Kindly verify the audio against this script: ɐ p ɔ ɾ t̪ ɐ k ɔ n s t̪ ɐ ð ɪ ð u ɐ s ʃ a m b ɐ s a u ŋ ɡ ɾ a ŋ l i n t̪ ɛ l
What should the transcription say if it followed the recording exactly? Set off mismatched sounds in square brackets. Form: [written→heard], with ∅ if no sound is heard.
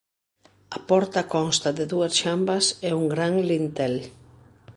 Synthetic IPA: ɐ p ɔ ɾ t̪ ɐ k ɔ n s t̪ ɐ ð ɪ ð u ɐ s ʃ a m b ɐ s [a→ɛ] u ŋ ɡ ɾ a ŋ l i n t̪ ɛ l